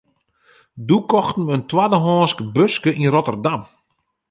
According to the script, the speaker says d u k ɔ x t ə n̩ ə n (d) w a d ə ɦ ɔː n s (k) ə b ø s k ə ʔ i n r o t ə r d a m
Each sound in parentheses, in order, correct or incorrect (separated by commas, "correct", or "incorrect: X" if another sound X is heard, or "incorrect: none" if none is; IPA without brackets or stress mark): incorrect: t, correct